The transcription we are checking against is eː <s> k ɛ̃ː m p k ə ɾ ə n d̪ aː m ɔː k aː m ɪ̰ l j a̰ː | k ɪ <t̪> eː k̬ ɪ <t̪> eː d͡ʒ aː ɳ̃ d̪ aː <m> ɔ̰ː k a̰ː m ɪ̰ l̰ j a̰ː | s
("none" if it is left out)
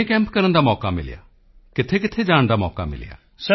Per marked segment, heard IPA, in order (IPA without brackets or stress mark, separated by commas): none, t̪ʰ, t̪ʰ, m